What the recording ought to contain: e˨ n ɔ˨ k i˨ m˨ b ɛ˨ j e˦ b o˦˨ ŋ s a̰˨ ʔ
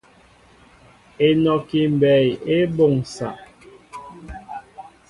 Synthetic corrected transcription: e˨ n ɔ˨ k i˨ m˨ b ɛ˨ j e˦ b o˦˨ ŋ s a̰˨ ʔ